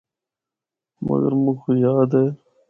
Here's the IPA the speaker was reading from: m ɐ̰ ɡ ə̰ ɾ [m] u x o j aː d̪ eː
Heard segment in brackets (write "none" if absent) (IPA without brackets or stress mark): m